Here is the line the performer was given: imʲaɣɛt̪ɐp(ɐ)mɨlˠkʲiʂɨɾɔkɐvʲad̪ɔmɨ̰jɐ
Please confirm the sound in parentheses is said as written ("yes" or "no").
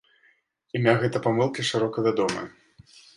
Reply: no